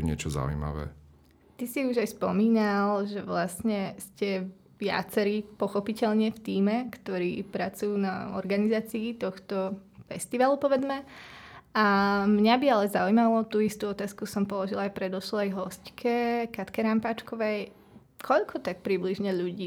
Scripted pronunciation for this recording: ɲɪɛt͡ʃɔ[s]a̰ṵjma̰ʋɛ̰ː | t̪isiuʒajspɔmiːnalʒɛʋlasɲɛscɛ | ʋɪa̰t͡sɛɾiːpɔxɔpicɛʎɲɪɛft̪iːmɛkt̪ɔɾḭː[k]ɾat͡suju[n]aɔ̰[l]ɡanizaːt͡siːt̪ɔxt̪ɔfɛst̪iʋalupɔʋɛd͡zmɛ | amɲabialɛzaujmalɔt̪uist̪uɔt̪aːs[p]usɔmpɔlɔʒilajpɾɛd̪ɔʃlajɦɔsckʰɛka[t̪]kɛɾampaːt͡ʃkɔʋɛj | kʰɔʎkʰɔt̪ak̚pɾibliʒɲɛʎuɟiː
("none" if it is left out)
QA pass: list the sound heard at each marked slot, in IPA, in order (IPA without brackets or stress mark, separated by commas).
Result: z, p, n, ɾ, k, t̪